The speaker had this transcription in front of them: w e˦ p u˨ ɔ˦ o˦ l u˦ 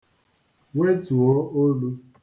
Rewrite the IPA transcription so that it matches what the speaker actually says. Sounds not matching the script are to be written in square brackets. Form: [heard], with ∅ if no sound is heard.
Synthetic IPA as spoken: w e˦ [t] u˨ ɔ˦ o˦ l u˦

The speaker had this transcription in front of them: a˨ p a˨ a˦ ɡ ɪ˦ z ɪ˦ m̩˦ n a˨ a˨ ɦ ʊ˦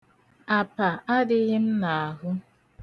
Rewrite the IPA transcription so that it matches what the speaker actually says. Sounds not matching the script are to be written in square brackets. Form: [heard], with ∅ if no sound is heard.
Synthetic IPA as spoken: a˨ p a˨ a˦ [d] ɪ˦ [ɣ] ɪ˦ m̩˦ n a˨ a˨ ɦ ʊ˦

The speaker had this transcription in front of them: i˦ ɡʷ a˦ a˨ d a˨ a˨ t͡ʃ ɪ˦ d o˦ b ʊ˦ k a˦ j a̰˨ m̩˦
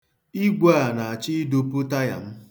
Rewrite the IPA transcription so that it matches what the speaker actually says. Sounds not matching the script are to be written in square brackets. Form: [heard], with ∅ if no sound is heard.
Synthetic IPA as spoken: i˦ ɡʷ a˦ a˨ [n] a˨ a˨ t͡ʃ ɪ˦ d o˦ [p] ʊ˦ [t] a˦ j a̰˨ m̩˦

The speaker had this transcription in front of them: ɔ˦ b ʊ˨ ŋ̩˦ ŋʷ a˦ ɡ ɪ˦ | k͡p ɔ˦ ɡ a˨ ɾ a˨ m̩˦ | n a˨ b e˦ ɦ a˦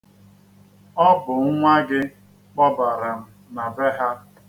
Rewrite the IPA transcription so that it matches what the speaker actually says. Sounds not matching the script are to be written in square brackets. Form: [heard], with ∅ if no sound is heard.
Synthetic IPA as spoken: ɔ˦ b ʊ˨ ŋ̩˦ ŋʷ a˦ ɡ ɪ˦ | k͡p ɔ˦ [b] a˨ ɾ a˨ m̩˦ | n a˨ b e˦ ɦ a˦

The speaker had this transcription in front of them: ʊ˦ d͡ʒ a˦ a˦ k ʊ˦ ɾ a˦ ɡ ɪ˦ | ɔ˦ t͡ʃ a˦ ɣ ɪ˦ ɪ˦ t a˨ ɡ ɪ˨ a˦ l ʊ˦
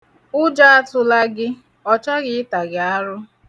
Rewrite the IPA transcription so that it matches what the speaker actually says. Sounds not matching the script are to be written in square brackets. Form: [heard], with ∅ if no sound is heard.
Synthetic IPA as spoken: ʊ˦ d͡ʒ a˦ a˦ [t] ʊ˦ [l] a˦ ɡ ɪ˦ | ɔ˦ t͡ʃ a˦ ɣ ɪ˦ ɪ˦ t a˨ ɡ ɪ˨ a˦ [ɾ] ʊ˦

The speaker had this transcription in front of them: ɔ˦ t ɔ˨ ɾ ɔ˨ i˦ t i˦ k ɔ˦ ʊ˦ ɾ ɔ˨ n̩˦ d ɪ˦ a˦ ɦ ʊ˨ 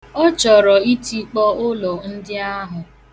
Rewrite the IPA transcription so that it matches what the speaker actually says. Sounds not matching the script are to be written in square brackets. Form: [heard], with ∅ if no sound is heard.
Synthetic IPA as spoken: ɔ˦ [t͡ʃ] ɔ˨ ɾ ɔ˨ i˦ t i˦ [k͡p] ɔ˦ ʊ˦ [l] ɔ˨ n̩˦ d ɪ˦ a˦ ɦ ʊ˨

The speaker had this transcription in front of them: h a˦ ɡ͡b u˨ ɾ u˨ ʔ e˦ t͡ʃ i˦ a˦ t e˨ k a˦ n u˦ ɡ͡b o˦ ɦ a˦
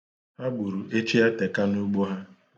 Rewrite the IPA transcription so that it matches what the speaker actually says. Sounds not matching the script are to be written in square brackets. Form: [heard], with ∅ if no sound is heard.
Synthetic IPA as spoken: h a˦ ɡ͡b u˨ ɾ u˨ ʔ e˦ t͡ʃ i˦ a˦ t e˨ k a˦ n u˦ ɡ͡b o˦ ɦ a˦

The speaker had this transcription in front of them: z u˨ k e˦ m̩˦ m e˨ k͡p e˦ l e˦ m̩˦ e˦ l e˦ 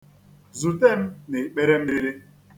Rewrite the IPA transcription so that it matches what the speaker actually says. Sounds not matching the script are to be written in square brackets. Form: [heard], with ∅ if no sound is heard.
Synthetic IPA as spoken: z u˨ [t] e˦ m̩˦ [n] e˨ k͡p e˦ [ɾ] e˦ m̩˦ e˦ [ɾ] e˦

